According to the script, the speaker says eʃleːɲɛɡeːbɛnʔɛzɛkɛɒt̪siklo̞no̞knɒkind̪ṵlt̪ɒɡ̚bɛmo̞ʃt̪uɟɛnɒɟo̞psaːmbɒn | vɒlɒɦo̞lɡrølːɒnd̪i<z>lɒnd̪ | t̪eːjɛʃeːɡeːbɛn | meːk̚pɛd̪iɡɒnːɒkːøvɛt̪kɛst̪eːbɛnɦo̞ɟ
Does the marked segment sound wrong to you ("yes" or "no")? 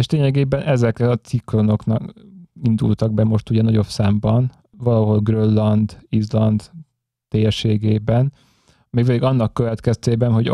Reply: no